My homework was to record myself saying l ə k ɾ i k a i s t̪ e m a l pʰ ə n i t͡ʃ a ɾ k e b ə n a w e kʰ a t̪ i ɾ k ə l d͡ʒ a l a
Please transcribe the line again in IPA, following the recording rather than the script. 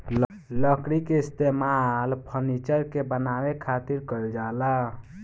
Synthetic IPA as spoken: l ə k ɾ i k e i s t̪ e m a l pʰ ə n i t͡ʃ ə ɾ k e b ə n a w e kʰ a t̪ i ɾ k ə l d͡ʒ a l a